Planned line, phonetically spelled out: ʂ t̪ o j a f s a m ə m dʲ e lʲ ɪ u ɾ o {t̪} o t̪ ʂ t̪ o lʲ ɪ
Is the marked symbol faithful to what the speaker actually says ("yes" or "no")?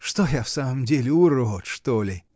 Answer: no